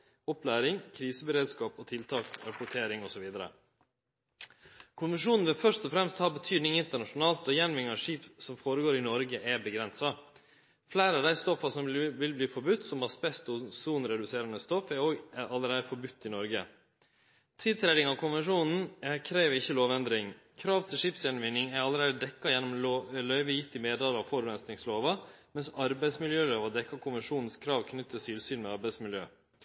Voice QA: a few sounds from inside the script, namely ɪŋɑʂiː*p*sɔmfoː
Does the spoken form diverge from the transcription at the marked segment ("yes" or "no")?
no